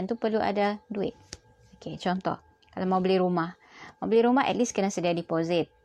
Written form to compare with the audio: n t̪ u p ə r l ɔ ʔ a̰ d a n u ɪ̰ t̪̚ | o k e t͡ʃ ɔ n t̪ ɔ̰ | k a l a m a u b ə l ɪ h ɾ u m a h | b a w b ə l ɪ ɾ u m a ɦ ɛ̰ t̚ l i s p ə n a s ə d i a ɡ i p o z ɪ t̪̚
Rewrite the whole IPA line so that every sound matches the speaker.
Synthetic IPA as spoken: n t̪ u p ə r l u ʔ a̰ d a d u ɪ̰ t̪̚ | o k e t͡ʃ ɔ n t̪ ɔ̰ | k a l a m a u b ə l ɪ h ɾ u m a h | m a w b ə l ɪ ɾ u m a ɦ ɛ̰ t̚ l i s k ə n a s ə d i a d i p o z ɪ t̪̚